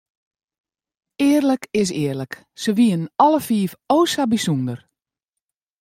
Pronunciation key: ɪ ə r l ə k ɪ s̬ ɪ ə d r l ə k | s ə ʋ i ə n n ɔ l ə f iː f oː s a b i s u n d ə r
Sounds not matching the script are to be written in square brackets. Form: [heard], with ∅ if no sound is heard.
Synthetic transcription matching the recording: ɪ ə r l ə k ɪ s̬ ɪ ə [∅] r l ə k | s ə ʋ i ə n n ɔ l ə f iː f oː s a b i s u n d ə r

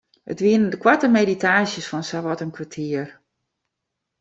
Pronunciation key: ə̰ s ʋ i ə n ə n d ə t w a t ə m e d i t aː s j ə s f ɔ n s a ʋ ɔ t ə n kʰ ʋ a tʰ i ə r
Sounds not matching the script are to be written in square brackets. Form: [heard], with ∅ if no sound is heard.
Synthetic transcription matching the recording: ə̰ [t] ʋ i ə n ə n d ə [k] w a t ə m e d i t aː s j ə s f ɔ n s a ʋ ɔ t ə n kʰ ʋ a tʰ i ə r

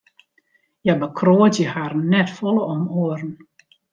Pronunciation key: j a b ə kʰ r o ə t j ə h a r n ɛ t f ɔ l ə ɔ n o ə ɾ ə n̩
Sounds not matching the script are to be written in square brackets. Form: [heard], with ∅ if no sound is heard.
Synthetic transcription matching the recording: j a b ə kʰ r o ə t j ə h a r n ɛ t f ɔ l ə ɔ [m] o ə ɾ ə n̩

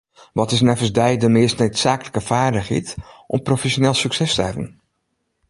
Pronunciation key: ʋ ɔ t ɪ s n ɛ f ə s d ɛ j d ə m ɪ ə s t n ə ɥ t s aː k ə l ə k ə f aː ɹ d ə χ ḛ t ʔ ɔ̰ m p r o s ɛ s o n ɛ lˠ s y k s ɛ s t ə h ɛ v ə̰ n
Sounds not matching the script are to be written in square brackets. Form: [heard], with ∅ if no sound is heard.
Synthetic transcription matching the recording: ʋ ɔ t ɪ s n ɛ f ə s d ɛ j d ə m ɪ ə s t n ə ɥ t s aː k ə l ə k ə f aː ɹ d ə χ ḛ t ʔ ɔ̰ m p r o [f] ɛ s o n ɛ lˠ s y k s ɛ s t ə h ɛ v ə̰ n

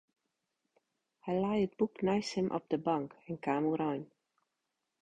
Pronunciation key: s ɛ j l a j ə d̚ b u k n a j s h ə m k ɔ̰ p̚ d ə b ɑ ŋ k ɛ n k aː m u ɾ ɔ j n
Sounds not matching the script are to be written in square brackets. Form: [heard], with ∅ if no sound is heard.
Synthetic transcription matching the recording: [h] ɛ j l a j ə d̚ b u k n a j s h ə m [ʔ] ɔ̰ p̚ d ə b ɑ ŋ k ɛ n k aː m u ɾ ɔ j n

